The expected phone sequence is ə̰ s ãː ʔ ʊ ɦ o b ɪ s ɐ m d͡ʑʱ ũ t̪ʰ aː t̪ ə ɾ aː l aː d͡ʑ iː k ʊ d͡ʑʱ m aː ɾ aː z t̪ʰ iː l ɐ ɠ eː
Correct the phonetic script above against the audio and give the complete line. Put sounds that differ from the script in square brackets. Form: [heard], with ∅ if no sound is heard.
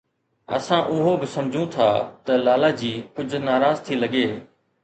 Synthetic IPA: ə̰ s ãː ʔ ʊ ɦ o b ɪ s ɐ m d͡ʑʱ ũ t̪ʰ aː t̪ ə [l] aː l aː d͡ʑ iː k ʊ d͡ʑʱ [n] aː ɾ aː z t̪ʰ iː l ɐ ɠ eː